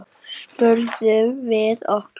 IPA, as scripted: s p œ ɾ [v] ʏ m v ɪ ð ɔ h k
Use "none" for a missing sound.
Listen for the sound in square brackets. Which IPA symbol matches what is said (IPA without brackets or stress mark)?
ð